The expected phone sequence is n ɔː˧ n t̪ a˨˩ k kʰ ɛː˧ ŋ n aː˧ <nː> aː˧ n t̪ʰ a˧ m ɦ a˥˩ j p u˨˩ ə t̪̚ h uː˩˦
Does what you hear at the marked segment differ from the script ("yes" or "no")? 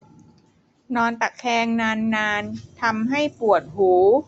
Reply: no